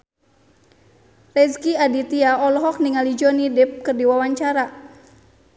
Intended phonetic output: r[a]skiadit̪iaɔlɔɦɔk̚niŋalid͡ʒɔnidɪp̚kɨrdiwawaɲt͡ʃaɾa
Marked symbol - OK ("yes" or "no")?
no